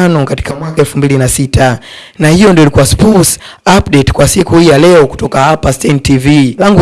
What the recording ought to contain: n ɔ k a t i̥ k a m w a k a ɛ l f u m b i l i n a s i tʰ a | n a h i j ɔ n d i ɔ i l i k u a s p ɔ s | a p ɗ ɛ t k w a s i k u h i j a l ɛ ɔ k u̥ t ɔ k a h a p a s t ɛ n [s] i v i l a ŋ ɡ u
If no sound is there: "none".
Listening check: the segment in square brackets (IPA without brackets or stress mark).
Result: t